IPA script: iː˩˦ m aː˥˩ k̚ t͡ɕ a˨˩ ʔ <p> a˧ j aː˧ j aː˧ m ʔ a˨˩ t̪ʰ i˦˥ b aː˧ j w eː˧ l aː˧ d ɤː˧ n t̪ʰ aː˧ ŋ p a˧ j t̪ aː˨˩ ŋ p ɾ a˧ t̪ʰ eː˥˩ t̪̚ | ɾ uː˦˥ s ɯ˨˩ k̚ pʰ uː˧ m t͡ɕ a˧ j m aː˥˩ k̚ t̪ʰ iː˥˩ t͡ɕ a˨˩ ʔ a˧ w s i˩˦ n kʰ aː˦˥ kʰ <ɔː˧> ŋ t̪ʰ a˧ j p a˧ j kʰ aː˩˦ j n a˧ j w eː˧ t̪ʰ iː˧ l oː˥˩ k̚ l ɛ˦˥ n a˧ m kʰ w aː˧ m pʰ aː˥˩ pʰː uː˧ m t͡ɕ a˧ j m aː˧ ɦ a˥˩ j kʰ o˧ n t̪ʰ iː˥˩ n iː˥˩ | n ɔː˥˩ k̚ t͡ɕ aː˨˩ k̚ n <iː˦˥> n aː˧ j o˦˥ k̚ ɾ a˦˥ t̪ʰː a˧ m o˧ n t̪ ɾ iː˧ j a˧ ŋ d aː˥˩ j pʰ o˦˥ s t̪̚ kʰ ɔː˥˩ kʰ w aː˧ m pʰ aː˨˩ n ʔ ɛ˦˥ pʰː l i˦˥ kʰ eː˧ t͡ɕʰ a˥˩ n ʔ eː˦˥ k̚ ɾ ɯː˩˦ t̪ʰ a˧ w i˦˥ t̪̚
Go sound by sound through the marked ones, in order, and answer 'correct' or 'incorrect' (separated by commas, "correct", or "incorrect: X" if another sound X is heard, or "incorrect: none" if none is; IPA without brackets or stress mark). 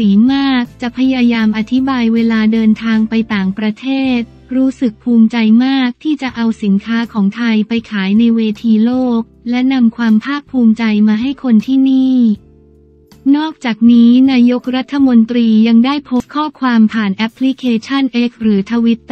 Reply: incorrect: pʰ, incorrect: ɔː˩˦, correct